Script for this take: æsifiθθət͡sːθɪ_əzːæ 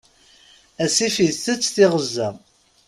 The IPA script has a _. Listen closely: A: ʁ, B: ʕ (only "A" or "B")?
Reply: A